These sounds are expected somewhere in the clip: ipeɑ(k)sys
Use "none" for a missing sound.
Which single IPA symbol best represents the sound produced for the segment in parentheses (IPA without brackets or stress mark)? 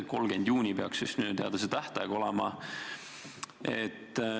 k